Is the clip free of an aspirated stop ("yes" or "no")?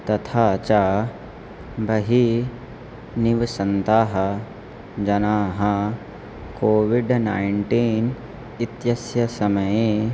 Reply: no